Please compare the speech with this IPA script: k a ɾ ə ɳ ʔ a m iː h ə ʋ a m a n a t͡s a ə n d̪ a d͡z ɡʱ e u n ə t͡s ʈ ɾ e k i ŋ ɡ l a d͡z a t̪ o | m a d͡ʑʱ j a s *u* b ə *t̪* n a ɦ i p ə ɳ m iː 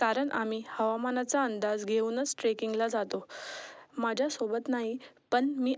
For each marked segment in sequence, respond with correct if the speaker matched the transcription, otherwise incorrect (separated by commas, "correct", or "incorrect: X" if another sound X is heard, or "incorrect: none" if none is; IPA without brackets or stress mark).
incorrect: o, correct